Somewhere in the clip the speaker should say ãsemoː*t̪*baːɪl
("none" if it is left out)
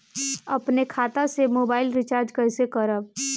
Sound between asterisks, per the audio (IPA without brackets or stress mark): none